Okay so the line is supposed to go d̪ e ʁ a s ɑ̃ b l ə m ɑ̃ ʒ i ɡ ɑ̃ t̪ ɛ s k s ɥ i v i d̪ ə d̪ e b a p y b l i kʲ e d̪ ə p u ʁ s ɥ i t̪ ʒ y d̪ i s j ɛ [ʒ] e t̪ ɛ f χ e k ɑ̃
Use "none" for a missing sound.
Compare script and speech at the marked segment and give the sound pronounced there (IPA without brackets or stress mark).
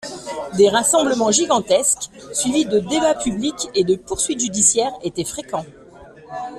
ʁ